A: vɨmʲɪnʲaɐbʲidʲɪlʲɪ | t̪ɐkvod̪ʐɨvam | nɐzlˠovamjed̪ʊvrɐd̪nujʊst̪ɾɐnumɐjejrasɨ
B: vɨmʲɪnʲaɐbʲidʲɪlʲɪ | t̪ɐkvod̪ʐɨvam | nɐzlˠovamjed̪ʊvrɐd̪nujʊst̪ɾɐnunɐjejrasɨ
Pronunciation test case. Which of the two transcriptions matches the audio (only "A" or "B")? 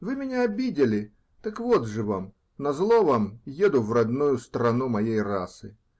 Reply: A